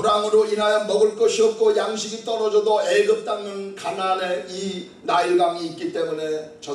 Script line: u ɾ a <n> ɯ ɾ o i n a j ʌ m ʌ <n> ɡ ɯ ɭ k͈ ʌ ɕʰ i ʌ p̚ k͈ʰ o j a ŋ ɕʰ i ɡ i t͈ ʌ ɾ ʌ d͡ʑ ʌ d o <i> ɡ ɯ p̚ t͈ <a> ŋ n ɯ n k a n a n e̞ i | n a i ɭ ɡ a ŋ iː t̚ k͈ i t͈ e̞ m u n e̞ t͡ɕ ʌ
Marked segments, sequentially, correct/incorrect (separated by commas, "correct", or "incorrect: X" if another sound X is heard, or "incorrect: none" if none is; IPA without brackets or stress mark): incorrect: ŋ, incorrect: none, incorrect: e, correct